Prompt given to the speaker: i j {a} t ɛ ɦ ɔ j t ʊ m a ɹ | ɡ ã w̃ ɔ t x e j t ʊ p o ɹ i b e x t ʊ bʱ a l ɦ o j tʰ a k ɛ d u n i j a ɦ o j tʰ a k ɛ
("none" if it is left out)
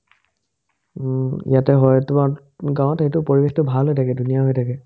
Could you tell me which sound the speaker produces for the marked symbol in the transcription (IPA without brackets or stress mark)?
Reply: a